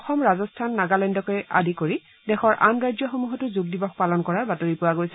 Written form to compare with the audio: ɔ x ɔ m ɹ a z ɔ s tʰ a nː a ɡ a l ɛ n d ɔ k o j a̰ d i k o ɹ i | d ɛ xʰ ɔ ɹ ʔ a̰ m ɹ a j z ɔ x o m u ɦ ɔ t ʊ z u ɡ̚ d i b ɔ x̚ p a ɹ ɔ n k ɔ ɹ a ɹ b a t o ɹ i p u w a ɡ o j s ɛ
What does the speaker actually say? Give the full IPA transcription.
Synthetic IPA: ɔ x ɔ m ɹ a z ɔ s tʰ a nː a ɡ a l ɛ n d ɔ k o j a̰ d i k o ɹ i | d ɛ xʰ ɔ ɹ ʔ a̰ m ɹ a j z ɔ x o m u ɦ ɔ t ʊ z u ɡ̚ d i b ɔ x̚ p a l ɔ n k ɔ ɹ a ɹ b a t o ɹ i p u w a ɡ o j s ɛ